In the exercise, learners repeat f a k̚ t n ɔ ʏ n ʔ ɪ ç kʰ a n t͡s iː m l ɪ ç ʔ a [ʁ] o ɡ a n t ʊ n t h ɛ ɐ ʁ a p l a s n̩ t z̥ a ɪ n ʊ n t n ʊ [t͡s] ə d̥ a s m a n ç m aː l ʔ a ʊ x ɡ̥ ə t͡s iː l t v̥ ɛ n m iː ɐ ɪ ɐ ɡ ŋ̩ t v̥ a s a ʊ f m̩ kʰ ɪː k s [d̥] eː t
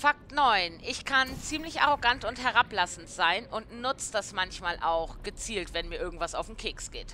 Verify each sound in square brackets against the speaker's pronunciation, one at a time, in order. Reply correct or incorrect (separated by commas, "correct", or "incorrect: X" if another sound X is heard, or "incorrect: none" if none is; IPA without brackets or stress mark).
correct, correct, incorrect: ɡ̥